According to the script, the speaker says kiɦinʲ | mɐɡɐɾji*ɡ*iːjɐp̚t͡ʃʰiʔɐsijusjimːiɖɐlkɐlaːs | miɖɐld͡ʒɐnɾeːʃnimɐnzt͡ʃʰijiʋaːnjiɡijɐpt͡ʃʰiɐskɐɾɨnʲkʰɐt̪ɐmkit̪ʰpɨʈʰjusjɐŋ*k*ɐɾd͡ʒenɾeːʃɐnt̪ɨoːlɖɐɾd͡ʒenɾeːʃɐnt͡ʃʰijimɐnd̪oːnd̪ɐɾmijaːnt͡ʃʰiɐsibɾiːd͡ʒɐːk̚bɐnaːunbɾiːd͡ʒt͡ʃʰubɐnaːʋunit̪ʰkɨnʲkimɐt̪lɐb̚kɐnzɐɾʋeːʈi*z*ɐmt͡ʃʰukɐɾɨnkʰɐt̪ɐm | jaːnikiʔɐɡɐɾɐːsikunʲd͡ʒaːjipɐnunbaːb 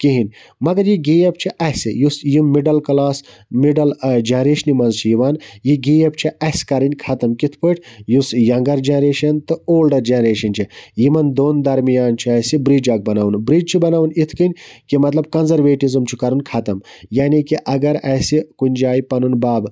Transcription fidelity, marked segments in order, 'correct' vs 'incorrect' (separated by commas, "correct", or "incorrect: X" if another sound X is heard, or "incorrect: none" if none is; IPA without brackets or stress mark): correct, incorrect: ɡ, correct